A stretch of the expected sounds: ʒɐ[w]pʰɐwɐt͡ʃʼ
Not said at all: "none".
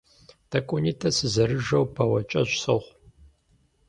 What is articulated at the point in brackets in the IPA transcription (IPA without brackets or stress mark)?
w